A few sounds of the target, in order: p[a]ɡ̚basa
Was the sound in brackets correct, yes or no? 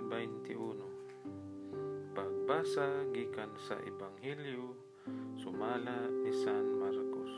yes